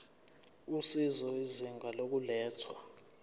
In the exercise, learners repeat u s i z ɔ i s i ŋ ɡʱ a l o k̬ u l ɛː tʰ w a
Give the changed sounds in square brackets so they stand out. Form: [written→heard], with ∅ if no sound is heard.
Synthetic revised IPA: u s i z ɔ i [s→z] i ŋ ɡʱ a l o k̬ u l ɛː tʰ w a